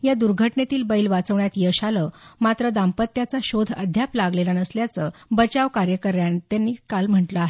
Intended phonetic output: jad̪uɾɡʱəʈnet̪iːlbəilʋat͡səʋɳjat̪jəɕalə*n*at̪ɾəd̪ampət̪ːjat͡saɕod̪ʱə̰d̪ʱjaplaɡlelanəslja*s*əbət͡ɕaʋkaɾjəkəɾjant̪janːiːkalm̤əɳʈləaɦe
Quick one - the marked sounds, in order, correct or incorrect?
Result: incorrect: m, incorrect: t͡s

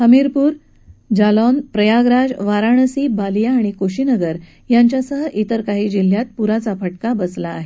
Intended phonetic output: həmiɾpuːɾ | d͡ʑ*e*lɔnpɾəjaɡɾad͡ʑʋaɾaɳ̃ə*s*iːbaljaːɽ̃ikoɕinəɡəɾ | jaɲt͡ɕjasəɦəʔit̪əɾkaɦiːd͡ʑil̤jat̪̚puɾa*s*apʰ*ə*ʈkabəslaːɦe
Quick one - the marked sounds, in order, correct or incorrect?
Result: incorrect: a, correct, incorrect: t͡s, correct

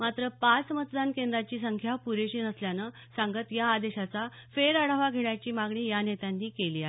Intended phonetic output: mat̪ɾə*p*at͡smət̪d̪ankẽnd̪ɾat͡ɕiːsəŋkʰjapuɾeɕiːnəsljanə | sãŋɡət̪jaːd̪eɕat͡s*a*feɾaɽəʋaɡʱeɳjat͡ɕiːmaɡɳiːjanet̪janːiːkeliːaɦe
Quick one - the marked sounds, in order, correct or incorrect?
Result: correct, correct

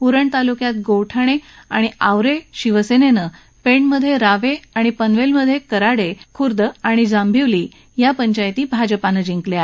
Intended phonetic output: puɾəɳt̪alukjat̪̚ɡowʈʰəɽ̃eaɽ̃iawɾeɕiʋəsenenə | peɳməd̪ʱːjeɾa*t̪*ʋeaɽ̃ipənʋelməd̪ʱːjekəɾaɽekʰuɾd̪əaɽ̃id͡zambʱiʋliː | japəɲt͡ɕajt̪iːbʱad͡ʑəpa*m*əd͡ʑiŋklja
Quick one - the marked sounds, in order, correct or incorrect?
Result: incorrect: none, incorrect: n

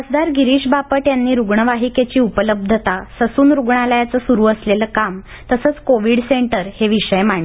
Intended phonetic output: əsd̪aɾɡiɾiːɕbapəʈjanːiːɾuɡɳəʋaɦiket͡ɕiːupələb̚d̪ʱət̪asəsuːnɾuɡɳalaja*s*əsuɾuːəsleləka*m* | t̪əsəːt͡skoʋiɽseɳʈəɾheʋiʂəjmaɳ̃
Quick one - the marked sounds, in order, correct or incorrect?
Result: incorrect: t͡s, correct

